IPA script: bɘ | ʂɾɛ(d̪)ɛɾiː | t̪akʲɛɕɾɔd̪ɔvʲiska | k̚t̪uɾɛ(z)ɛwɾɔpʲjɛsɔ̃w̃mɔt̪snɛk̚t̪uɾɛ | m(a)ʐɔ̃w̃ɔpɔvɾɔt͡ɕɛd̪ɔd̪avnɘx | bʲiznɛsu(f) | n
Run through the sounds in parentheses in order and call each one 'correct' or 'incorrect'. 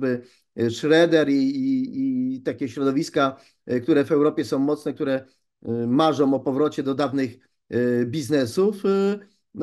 correct, incorrect: v, correct, correct

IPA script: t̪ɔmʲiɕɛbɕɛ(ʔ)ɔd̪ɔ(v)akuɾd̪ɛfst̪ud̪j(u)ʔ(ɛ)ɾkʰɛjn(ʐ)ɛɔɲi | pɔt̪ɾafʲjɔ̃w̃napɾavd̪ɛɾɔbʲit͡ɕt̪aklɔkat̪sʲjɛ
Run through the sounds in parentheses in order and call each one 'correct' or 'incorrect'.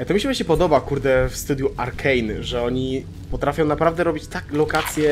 incorrect: p, incorrect: b, correct, incorrect: a, correct

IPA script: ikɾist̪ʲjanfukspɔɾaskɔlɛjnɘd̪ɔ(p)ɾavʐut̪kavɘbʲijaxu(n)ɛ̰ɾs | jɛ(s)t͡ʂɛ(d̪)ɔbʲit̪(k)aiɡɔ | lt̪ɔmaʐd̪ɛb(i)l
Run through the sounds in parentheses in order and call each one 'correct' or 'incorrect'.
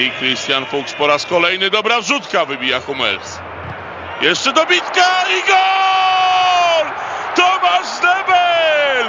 incorrect: b, incorrect: m, incorrect: ʂ, correct, correct, incorrect: ɛ

